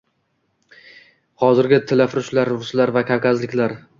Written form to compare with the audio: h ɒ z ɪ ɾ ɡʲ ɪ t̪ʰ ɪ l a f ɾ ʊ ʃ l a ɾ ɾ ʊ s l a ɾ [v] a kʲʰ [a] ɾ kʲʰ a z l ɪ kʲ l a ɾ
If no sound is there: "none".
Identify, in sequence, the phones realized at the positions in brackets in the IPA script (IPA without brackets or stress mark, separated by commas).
v, a